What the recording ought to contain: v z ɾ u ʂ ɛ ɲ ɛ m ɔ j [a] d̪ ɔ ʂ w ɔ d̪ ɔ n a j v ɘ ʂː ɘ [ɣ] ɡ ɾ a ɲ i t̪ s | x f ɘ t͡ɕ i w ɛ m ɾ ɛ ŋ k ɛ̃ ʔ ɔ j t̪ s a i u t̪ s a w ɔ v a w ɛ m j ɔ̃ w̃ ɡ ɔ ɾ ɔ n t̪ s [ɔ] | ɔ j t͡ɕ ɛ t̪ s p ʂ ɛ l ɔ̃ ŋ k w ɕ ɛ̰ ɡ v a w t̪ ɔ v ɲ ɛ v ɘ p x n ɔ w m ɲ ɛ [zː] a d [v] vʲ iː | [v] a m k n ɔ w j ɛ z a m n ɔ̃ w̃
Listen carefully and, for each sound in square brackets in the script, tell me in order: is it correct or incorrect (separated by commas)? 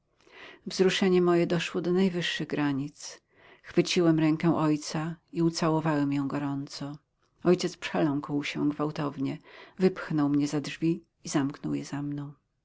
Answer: incorrect, correct, correct, incorrect, incorrect, incorrect